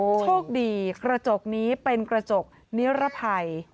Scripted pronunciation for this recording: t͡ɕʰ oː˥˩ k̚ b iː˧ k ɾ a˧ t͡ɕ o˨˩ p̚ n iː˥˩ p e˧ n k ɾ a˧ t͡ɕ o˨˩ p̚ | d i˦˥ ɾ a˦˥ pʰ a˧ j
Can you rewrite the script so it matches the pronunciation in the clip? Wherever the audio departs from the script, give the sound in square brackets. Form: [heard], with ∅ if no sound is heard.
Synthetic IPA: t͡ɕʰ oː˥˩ k̚ [d] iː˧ k ɾ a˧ t͡ɕ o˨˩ [k̚] n [iː˦˥] p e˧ n k ɾ a˧ t͡ɕ o˨˩ [k̚] | [n] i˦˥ ɾ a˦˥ pʰ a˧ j